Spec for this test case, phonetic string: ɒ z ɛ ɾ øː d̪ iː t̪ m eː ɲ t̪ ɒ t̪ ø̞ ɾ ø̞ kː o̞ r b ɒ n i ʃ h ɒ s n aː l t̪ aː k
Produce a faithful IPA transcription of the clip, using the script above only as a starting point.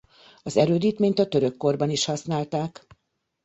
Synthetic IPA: ɒ z ɛ ɾ øː d̪ iː t̪ m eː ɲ t̪ ɒ t̪ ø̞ ɾ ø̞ kː o̞ r b ɒ n i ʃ h ɒ s n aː l t̪ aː k